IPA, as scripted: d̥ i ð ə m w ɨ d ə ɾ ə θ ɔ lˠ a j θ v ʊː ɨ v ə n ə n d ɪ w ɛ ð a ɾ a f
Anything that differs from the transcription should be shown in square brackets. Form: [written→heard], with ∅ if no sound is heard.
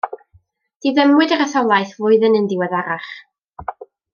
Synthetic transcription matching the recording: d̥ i ð ə m w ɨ d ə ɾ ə θ ɔ lˠ a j θ v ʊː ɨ [v→ð] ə n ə n d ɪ w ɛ ð a ɾ a [f→χ]

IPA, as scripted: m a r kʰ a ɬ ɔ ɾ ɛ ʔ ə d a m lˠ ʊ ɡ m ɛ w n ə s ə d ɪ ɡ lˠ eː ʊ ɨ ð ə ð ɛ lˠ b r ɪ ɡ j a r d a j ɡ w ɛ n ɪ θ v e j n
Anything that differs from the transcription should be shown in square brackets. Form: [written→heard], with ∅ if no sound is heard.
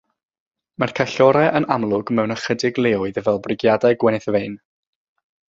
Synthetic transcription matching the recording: m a r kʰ a ɬ ɔ ɾ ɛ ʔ ə [d→n] a m lˠ ʊ ɡ m ɛ w n ə [s→χ] ə d ɪ ɡ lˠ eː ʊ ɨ ð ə [ð→v] ɛ lˠ b r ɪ ɡ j a [r→∅] d a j ɡ w ɛ n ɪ θ v e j n

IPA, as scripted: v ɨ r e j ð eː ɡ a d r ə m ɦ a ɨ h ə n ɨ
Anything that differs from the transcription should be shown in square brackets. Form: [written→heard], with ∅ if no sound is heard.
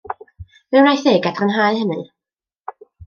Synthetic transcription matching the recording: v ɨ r [e→a] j [ð→θ] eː ɡ a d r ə [m→n] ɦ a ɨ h ə n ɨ

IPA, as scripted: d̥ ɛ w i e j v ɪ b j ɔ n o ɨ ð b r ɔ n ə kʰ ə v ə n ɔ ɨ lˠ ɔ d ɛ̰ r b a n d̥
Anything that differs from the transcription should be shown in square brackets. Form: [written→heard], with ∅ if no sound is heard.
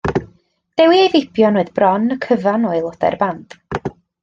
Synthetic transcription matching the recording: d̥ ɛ w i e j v ɪ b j ɔ n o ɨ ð b r ɔ n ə kʰ ə v [ə→a] n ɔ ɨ lˠ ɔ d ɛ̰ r b a n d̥

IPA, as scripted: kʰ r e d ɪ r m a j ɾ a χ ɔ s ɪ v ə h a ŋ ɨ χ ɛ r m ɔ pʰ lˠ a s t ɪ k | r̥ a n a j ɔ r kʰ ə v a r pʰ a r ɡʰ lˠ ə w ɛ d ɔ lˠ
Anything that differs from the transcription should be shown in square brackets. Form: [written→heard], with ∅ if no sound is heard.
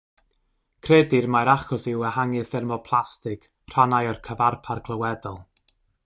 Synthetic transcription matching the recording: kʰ r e d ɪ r m a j ɾ a χ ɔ s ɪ [v→w] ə h a ŋ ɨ [χ→θ] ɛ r m ɔ pʰ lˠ a s t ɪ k | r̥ a n a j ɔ r kʰ ə v a r pʰ a r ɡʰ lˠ ə w ɛ d ɔ lˠ

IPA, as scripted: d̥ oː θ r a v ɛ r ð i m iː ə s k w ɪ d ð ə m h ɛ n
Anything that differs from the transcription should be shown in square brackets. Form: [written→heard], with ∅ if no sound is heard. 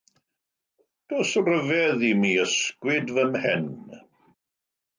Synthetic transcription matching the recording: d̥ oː [θ→s] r [a→ə] v ɛ [r→∅] ð i m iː ə s k w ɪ d [ð→v] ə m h ɛ n

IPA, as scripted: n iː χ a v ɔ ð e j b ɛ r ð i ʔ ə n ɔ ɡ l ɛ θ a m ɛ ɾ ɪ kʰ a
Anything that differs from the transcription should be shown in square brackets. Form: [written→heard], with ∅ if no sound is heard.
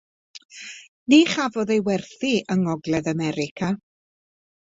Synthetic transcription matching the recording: n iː χ a v ɔ ð e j [b→w] ɛ r [ð→θ] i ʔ ə [n→ŋ] ɔ ɡ l ɛ [θ→ð] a m ɛ ɾ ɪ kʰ a

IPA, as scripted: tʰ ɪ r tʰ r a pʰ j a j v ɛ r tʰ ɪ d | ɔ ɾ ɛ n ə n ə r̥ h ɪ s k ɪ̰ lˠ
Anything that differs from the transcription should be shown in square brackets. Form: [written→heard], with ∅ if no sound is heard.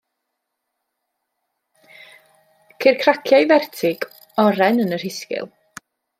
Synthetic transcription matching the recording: [tʰ→kʰ] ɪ r [tʰ→kʰ] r a [pʰ→kʰ] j a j v ɛ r tʰ ɪ [d→ɡ] | ɔ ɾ ɛ n ə n ə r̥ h ɪ s k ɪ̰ lˠ

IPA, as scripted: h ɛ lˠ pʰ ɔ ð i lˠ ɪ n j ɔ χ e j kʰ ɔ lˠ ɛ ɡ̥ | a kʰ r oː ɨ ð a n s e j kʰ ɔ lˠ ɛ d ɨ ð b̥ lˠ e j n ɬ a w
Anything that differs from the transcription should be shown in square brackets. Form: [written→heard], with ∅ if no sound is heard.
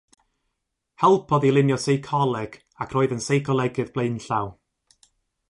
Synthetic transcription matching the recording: h ɛ lˠ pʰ ɔ ð i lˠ ɪ n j ɔ [χ→s] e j kʰ ɔ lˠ ɛ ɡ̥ | a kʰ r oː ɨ ð [a→ə] n s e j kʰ ɔ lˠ ɛ [d→ɡ] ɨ ð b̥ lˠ e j n ɬ a w

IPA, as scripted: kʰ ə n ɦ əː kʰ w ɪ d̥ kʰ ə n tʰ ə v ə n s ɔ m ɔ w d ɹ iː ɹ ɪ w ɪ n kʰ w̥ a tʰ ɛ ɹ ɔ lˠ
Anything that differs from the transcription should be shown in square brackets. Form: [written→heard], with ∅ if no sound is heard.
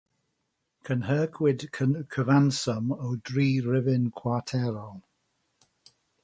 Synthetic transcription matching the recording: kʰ ə n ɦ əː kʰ w ɪ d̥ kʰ ə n [tʰ→kʰ] ə v [ə→a] n s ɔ m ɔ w d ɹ iː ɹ ɪ [w→v] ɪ n kʰ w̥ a tʰ ɛ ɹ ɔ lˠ

